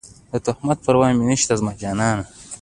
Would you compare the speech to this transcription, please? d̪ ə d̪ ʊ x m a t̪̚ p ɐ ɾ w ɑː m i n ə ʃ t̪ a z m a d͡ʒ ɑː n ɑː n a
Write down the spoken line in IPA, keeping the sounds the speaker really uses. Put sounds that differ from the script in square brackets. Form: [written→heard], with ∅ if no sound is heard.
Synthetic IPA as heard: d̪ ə [d̪→t̪] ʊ [x→h] m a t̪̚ p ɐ ɾ w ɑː m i n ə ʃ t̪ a z m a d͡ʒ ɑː n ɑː n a